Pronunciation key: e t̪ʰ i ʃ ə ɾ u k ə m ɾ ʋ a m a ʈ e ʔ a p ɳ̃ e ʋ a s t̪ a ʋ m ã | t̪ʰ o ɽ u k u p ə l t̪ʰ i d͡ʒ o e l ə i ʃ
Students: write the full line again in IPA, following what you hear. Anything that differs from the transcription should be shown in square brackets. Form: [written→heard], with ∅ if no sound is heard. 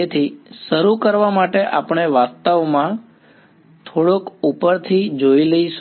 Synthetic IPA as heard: e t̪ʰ i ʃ ə ɾ u k ə [m→∅] ɾ ʋ a m a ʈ e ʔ a p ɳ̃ e ʋ a s t̪ a ʋ m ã | t̪ʰ o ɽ [u→o] k u p ə [l→ɾ] t̪ʰ i d͡ʒ o [e→i] l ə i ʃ